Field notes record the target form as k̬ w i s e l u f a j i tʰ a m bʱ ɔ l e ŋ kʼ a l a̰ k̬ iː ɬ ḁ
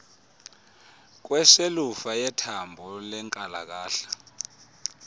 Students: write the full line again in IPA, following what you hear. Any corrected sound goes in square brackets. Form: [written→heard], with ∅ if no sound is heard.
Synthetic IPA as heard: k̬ w [i→ɛ] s e l u f a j [i→ɛ] tʰ a m bʱ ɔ l [e→ɛ] ŋ kʼ a l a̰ k̬ [iː→aː] ɬ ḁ